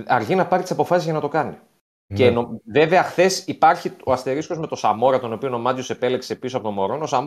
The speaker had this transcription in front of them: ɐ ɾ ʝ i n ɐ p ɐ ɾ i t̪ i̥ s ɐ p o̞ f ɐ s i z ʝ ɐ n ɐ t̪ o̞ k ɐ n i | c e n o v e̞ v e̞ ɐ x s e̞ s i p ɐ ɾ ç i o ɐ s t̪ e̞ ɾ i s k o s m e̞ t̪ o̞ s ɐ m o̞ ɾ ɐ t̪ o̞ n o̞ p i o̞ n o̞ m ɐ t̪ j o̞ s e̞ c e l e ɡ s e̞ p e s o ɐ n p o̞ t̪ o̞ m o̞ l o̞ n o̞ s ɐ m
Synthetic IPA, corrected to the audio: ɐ ɾ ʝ i n ɐ p ɐ ɾ i t̪ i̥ s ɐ p o̞ f ɐ s i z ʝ ɐ n ɐ t̪ o̞ k ɐ n i | c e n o v e̞ v e̞ ɐ x θ e̞ s i p ɐ ɾ ç i o ɐ s t̪ e̞ ɾ i s k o z m e̞ t̪ o̞ s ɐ m o̞ ɾ ɐ t̪ o̞ n o̞ p i o̞ n o̞ m ɐ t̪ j o̞ s e̞ p e l e k s e̞ p i s o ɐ p o̞ t̪ o̞ m o̞ ɾ o̞ n o̞ s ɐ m